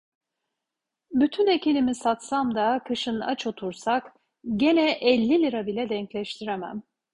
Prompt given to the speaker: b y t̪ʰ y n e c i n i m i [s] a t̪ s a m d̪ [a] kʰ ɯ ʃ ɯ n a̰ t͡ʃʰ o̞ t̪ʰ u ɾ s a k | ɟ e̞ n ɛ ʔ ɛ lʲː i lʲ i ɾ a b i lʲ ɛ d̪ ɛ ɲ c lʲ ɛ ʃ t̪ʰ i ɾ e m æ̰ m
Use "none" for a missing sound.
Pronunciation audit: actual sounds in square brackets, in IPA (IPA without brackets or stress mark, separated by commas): s, a